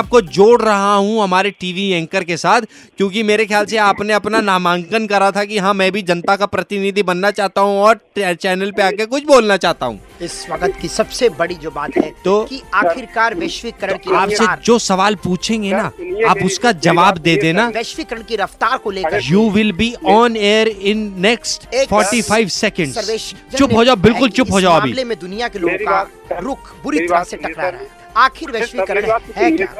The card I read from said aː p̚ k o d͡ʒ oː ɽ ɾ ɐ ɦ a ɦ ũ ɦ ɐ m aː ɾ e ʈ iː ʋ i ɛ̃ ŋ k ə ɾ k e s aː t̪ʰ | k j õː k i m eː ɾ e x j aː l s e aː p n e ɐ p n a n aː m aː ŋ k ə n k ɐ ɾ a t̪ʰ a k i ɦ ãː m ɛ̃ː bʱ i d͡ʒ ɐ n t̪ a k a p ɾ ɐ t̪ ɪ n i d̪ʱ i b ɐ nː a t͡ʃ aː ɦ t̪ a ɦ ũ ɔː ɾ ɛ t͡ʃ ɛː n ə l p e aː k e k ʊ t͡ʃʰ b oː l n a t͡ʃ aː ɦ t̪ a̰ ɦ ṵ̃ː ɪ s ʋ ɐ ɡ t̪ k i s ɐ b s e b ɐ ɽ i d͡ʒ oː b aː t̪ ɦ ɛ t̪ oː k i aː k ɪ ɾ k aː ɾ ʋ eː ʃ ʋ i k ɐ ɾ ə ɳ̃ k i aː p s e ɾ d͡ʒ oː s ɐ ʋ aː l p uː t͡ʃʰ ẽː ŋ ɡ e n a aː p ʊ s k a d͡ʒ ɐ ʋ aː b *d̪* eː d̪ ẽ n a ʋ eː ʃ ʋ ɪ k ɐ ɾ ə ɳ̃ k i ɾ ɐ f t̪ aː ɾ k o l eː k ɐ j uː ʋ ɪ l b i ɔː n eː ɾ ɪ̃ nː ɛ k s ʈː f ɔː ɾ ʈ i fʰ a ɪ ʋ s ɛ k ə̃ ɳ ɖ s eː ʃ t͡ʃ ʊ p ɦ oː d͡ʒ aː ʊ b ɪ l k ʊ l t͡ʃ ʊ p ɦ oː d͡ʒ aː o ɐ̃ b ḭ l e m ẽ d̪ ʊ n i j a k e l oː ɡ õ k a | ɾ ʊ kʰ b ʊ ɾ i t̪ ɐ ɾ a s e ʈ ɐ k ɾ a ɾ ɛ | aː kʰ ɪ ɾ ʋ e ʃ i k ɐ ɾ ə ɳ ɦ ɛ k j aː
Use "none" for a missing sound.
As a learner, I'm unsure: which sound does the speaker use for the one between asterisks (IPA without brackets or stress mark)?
d̪